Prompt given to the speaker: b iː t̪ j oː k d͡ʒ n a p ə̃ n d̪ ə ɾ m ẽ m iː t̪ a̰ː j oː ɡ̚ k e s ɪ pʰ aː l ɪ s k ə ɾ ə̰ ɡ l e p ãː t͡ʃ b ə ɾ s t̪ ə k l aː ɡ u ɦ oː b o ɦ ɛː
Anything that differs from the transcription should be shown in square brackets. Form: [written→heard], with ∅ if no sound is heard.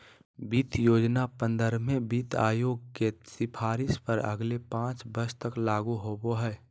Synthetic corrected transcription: b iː t̪ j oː [k→∅] d͡ʒ n a p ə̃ n d̪ ə ɾ m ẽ [m→b] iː t̪ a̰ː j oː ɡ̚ k e s ɪ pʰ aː [l→ɾ] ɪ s [k→p] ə ɾ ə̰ ɡ l e p ãː t͡ʃ b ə ɾ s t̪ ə k l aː ɡ u ɦ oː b o ɦ ɛː

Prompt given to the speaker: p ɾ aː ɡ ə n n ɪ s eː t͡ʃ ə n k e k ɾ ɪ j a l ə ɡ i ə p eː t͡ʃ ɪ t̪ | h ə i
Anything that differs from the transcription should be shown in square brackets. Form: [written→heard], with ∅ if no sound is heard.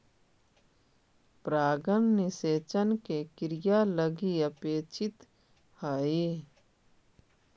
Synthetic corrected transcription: p ɾ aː ɡ ə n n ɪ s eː t͡ʃ ə n k e k ɾ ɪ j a l ə ɡ i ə p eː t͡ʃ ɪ t̪ | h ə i

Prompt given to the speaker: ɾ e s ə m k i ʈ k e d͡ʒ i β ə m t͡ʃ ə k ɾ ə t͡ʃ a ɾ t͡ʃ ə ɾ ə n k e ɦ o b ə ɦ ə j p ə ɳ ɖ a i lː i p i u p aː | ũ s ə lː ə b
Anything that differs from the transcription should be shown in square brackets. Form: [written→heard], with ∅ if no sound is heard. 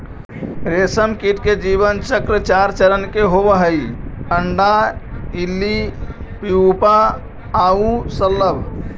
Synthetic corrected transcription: ɾ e s ə m k i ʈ k e d͡ʒ i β ə [m→n] t͡ʃ ə k ɾ ə t͡ʃ a ɾ t͡ʃ ə ɾ ə n k e ɦ o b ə ɦ ə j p ə ɳ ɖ a i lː i p i u p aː | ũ s ə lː ə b

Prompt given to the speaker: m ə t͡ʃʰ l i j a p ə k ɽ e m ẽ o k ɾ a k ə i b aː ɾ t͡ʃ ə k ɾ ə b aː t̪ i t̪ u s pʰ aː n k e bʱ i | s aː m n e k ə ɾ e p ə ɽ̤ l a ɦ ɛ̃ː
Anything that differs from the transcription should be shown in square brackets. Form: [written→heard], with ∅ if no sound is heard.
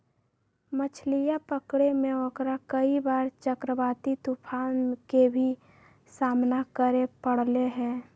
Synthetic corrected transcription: m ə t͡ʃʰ l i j a p ə k ɽ e m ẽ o k ɾ a k ə i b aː ɾ t͡ʃ ə k ɾ ə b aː t̪ i t̪ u [s→∅] pʰ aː n k e bʱ i | s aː m n [e→a] k ə ɾ e p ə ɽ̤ l [a→e] ɦ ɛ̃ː

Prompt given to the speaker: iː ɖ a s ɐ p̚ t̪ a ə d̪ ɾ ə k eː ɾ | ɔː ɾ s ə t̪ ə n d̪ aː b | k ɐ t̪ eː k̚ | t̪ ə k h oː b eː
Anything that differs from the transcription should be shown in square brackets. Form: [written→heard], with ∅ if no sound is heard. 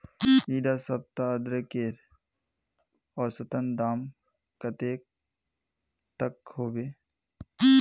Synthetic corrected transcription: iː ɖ a s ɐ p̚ t̪ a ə d̪ ɾ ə k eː ɾ | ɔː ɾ s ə t̪ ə n d̪ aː [b→m] | k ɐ t̪ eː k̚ | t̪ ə k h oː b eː

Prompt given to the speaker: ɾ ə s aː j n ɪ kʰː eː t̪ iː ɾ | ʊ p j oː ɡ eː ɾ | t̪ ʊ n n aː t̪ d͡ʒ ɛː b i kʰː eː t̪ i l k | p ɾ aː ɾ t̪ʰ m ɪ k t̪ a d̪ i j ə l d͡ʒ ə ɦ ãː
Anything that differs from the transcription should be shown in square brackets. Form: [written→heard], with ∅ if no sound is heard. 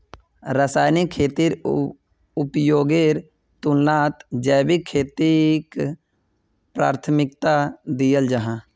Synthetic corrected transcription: ɾ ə s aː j n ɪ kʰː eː t̪ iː ɾ | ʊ p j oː ɡ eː ɾ | t̪ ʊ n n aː t̪ d͡ʒ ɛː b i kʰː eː t̪ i [l→∅] k | p ɾ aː ɾ t̪ʰ m ɪ k t̪ a d̪ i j ə l d͡ʒ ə ɦ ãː

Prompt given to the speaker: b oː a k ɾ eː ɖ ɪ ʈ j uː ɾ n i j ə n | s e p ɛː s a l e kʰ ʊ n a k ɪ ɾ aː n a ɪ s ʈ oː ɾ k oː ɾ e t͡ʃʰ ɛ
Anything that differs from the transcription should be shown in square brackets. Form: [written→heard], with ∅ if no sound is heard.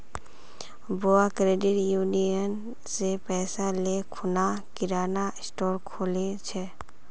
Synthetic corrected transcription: b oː a k ɾ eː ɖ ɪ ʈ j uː [ɾ→∅] n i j ə n | s e p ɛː s a l e kʰ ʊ n a k ɪ ɾ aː n a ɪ s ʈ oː ɾ [k→kʰ] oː [ɾ→l] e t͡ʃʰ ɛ

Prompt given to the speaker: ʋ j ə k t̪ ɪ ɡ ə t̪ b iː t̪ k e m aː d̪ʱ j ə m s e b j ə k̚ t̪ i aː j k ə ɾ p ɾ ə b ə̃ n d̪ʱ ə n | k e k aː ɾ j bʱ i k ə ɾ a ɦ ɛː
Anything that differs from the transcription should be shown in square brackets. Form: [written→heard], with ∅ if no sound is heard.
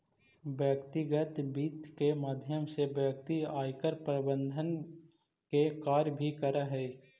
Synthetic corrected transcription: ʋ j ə k t̪ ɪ ɡ ə t̪ b iː t̪ k e m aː d̪ʱ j ə m s e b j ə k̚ t̪ i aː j k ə ɾ p ɾ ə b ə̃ n d̪ʱ ə n | k e k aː ɾ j bʱ i k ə ɾ a ɦ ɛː

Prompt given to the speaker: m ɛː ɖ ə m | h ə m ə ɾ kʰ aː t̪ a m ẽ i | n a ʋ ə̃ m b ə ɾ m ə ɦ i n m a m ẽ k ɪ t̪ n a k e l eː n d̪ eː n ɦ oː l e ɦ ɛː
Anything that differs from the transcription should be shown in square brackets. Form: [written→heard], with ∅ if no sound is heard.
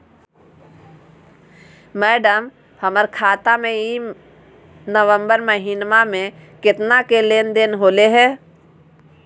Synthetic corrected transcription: m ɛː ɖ ə m | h ə m ə ɾ kʰ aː t̪ a m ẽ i | n [a→ə] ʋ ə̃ m b ə ɾ m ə ɦ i n m a m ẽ k ɪ t̪ n a k e l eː n d̪ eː n ɦ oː l e ɦ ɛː

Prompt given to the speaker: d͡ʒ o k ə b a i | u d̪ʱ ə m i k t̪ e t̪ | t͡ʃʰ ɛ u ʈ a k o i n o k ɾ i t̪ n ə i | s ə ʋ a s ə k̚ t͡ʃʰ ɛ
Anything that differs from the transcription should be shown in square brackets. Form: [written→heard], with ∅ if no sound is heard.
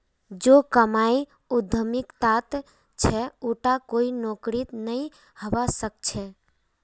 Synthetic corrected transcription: d͡ʒ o k ə [b→m] a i | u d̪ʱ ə m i k t̪ [e→a] t̪ | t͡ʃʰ ɛ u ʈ a k o i n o k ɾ i t̪ n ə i | [s→h] ə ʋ a s ə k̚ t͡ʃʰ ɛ

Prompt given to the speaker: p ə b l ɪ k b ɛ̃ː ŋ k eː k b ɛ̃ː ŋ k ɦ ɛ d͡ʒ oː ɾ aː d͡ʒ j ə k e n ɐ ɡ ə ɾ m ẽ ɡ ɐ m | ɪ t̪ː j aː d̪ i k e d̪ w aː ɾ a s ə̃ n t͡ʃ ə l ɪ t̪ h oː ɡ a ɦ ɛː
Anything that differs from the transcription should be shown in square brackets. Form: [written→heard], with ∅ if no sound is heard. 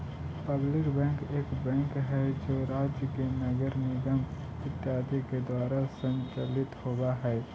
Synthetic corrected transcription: p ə b l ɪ k b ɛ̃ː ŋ k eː k b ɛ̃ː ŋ k ɦ ɛ d͡ʒ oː ɾ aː d͡ʒ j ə k e n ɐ ɡ ə ɾ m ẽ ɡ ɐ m | ɪ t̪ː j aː d̪ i k e d̪ w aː ɾ a s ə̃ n t͡ʃ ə l ɪ t̪ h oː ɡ a ɦ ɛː

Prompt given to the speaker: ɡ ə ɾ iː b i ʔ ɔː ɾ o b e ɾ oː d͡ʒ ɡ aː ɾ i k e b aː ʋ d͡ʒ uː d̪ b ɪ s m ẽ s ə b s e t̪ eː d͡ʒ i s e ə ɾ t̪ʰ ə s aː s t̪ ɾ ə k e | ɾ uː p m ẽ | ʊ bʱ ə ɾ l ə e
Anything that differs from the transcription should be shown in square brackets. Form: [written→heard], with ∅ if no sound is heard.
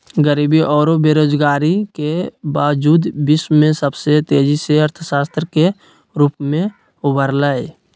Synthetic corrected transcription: ɡ ə ɾ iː b i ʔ ɔː ɾ o b e ɾ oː d͡ʒ ɡ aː ɾ i k e b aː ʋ d͡ʒ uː d̪ b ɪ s m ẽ s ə b s e t̪ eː d͡ʒ i s e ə ɾ t̪ʰ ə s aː s t̪ ɾ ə k e | ɾ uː p m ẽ | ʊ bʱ ə ɾ l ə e

